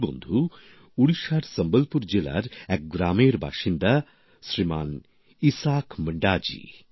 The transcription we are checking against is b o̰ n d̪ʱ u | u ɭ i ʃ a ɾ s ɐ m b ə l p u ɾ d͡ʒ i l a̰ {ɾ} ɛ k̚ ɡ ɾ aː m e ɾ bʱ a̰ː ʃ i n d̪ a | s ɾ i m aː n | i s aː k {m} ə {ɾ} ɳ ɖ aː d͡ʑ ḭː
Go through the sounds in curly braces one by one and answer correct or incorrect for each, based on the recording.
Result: correct, correct, incorrect

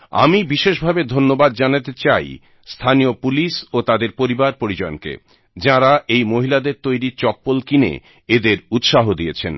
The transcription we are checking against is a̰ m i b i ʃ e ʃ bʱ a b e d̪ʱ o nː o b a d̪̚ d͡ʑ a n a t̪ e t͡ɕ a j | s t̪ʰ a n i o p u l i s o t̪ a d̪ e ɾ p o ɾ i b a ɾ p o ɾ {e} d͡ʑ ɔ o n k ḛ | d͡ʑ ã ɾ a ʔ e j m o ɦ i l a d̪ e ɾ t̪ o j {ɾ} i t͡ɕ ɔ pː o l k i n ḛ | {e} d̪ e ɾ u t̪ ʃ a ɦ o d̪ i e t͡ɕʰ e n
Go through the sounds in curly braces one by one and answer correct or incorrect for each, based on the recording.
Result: incorrect, correct, correct

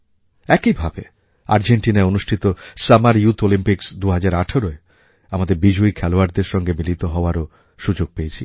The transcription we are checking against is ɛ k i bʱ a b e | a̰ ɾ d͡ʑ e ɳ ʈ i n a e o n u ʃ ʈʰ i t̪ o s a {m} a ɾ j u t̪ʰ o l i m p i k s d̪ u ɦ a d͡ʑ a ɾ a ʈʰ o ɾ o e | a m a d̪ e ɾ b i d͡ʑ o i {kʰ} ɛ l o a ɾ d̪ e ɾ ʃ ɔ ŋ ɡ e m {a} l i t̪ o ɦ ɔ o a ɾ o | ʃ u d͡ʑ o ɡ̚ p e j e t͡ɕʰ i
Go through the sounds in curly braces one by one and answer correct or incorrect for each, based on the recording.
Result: correct, correct, incorrect

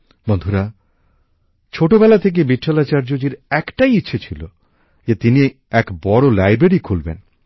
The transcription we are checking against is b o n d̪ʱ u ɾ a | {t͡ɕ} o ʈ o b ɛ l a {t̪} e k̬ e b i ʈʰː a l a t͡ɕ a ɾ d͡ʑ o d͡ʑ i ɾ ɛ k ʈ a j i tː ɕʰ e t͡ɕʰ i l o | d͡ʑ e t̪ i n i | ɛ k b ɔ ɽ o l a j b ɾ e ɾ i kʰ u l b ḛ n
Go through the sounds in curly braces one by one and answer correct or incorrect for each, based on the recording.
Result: incorrect, incorrect

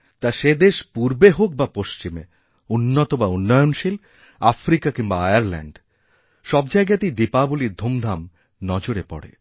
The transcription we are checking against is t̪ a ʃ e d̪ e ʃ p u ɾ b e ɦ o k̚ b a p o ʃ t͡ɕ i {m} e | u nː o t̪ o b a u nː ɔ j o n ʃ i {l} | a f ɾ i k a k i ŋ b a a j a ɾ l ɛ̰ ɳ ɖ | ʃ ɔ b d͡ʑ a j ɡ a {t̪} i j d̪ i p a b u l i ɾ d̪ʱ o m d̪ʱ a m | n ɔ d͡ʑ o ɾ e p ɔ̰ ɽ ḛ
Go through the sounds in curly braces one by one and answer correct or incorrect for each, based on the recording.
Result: correct, correct, correct

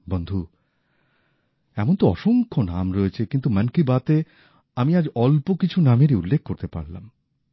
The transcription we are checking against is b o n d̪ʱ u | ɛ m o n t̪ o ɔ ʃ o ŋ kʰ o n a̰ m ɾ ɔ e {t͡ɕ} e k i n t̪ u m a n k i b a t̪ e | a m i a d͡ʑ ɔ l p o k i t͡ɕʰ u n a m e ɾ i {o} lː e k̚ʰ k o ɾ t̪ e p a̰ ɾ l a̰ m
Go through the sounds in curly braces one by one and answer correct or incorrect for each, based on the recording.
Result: incorrect, incorrect

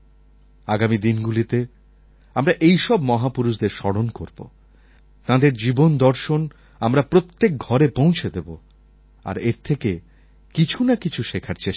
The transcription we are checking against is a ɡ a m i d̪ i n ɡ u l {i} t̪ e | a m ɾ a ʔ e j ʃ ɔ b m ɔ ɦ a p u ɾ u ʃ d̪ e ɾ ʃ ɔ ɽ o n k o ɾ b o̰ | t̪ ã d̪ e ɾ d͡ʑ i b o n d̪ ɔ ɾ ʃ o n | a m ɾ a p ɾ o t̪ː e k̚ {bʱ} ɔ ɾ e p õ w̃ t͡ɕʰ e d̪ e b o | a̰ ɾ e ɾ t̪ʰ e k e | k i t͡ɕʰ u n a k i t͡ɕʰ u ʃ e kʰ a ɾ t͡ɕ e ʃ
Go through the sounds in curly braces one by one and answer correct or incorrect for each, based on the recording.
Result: correct, incorrect

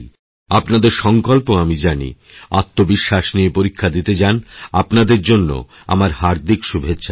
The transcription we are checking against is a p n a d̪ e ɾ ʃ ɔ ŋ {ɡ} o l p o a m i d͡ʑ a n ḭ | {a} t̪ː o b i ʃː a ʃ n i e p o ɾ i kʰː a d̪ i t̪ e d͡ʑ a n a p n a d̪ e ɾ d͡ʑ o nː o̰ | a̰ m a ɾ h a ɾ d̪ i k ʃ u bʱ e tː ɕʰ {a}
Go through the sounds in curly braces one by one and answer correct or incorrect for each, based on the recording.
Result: incorrect, correct, correct

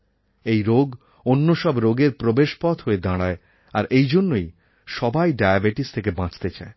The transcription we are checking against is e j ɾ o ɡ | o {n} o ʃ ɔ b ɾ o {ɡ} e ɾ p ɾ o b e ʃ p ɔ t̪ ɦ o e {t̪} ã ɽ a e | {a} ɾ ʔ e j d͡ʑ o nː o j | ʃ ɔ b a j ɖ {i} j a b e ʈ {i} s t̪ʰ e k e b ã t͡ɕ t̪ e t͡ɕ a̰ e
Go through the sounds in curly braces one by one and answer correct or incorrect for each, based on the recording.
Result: incorrect, correct, incorrect, correct, incorrect, correct

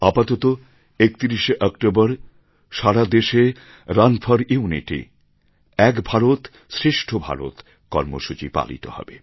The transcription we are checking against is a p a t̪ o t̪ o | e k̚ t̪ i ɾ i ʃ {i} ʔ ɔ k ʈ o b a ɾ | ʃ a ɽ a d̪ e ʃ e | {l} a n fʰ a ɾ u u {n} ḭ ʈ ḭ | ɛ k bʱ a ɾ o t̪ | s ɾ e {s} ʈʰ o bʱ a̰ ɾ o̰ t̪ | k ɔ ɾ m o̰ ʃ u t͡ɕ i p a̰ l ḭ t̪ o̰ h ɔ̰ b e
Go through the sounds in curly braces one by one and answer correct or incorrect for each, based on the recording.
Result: incorrect, incorrect, correct, incorrect

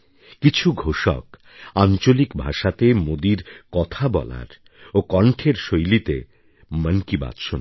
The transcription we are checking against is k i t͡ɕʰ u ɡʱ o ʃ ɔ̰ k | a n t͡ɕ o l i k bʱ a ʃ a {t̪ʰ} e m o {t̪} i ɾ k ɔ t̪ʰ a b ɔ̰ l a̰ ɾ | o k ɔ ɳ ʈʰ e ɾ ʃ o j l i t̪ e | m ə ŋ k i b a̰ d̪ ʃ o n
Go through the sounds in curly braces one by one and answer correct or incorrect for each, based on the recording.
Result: incorrect, incorrect

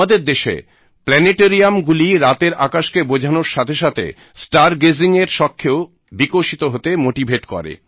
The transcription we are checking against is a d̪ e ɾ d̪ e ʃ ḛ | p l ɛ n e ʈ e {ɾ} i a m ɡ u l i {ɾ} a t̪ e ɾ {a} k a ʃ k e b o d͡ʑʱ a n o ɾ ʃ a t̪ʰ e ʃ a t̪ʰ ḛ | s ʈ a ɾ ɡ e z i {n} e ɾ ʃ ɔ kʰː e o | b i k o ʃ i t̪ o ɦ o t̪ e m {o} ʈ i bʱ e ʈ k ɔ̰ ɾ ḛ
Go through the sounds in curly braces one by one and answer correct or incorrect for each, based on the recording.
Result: correct, correct, correct, incorrect, correct

